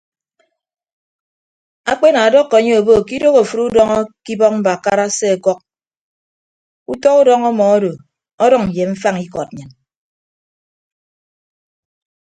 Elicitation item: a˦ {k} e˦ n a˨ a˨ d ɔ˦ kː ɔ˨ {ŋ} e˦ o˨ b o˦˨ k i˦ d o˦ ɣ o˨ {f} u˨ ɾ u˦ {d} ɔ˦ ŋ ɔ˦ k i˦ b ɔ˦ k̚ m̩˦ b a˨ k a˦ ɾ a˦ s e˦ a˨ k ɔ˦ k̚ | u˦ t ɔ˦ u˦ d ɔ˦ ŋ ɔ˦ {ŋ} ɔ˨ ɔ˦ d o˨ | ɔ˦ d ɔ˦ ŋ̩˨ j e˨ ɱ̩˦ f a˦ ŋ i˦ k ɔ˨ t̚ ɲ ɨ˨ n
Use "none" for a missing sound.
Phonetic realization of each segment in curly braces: k͡p, ɲ, f, d, m

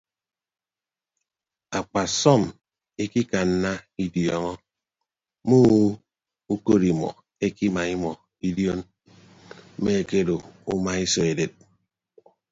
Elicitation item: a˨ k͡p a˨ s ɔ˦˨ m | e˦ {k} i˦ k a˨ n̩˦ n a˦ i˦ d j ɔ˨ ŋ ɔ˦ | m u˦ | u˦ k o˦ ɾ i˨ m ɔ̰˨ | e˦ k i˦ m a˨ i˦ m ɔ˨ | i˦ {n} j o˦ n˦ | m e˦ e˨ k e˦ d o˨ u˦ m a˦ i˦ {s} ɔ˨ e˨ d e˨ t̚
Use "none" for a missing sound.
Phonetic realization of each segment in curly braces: k, d, s

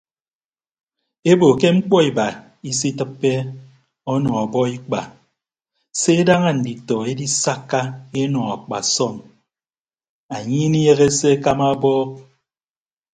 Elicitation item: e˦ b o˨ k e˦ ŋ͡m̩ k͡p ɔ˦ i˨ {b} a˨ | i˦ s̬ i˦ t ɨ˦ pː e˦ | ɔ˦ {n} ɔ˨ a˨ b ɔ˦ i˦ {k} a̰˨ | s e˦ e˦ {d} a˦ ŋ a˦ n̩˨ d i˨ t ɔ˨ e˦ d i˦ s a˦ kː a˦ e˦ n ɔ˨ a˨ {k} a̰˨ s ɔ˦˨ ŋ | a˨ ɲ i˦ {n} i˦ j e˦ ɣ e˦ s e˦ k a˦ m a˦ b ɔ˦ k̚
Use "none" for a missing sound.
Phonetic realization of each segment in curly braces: b, n, k͡p, d, k͡p, n

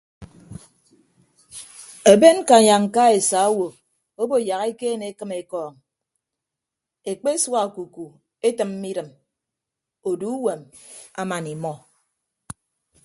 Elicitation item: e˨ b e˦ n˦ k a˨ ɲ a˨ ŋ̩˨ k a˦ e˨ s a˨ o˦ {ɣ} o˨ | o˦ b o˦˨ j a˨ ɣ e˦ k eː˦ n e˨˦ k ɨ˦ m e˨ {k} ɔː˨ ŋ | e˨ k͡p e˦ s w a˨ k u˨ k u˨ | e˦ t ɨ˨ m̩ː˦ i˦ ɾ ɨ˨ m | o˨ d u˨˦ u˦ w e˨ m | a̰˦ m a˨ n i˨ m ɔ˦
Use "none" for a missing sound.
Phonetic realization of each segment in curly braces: w, k

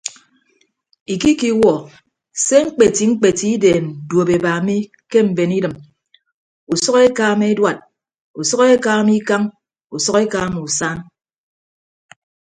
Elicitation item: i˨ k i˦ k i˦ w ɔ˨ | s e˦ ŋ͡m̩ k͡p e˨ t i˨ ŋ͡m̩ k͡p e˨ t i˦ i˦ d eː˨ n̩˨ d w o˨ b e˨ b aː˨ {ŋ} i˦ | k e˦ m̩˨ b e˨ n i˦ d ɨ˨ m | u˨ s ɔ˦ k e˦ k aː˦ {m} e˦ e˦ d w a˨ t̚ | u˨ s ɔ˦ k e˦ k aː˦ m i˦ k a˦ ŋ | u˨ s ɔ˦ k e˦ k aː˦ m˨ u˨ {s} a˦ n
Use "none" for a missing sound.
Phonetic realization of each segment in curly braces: m, m, s

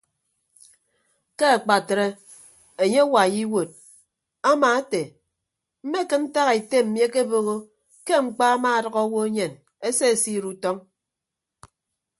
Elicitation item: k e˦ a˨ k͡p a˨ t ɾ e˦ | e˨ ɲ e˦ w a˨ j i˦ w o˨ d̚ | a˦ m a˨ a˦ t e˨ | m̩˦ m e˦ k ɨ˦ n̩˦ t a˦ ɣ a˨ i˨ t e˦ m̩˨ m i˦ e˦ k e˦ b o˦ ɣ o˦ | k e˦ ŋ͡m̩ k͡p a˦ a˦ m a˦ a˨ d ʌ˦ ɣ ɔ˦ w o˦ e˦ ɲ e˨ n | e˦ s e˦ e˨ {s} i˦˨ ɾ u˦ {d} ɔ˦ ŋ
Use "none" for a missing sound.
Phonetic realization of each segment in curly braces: s, t

